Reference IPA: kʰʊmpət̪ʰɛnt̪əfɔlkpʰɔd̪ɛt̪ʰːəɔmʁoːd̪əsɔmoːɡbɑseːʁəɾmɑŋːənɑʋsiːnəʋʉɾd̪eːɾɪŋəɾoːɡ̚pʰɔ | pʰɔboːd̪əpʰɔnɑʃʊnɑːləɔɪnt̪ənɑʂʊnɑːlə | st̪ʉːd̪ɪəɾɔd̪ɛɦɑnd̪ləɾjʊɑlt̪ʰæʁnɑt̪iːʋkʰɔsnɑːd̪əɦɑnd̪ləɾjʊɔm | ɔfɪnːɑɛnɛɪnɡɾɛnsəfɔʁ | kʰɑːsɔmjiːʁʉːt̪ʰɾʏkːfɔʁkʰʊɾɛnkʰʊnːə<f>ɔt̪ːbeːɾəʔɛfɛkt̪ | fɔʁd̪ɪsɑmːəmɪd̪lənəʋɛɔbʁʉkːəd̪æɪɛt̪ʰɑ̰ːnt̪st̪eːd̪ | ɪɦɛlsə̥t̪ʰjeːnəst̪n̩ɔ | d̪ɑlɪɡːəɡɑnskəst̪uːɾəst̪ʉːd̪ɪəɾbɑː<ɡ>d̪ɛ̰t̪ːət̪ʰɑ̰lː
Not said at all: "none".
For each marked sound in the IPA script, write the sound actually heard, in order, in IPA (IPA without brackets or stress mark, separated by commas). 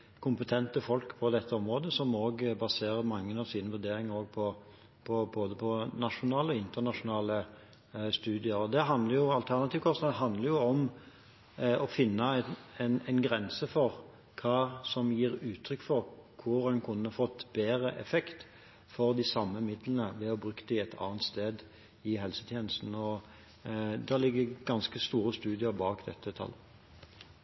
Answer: f, k